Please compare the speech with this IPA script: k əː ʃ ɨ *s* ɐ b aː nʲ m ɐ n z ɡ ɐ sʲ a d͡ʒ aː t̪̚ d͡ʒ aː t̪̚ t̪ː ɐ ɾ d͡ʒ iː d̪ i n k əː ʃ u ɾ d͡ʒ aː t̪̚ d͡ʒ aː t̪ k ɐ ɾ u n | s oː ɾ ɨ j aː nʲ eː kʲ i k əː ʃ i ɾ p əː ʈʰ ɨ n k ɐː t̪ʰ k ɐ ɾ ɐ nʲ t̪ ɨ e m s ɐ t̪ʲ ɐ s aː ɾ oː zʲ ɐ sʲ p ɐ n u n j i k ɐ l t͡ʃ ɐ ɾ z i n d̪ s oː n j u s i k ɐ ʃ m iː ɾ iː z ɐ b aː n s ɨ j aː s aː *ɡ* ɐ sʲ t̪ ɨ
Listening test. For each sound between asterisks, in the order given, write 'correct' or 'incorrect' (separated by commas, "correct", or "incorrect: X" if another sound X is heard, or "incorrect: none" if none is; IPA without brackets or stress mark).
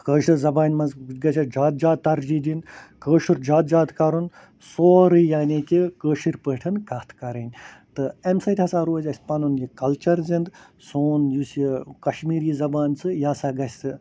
incorrect: z, correct